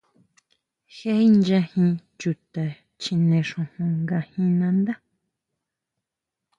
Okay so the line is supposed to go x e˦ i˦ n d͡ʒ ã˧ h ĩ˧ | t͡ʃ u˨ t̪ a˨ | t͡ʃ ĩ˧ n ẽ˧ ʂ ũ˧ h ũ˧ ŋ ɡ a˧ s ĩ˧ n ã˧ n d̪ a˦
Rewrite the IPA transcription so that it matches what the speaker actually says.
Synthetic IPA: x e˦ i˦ n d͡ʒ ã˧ h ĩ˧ | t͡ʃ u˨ t̪ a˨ | t͡ʃ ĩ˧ n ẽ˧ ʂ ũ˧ h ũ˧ ŋ ɡ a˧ h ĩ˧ n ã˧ n d̪ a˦